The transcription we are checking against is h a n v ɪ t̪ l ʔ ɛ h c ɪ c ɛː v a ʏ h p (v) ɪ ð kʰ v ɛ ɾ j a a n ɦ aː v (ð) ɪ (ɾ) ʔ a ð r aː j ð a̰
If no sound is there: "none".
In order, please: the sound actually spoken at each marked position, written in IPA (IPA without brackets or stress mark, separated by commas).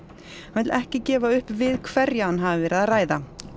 v, v, ɾ